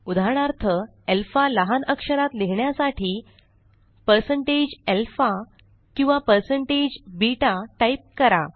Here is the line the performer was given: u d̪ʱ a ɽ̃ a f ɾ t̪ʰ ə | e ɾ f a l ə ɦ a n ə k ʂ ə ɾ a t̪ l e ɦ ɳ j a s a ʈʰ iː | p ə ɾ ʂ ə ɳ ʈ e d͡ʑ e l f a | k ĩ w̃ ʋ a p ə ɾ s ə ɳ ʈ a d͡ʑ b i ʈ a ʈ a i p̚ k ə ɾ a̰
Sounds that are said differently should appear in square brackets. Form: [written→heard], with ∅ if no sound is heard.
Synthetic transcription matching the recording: u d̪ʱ a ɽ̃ a [f→∅] ɾ t̪ʰ ə | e [ɾ→l] f a l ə ɦ a n ə k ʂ ə ɾ a t̪ l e ɦ ɳ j a s a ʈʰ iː | p ə ɾ [ʂ→s] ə ɳ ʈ e d͡ʑ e l f a | k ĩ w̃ ʋ a p ə ɾ s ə ɳ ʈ [a→e] d͡ʑ b i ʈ a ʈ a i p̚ k ə ɾ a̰